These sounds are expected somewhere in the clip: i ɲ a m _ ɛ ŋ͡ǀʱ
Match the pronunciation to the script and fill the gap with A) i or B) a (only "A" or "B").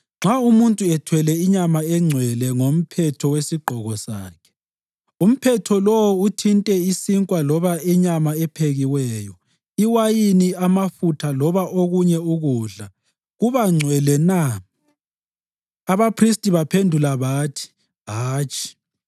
B